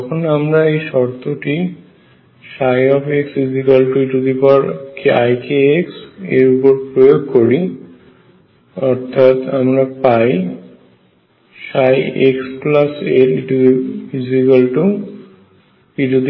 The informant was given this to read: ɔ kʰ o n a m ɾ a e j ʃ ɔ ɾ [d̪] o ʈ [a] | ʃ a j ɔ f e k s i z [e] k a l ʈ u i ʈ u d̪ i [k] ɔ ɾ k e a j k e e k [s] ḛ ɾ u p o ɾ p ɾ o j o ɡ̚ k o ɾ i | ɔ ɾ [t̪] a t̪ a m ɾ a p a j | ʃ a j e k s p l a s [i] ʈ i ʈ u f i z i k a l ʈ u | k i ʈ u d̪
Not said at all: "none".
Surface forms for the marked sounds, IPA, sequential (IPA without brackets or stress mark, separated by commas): t̪, i, i, p, s, t̪ʰ, e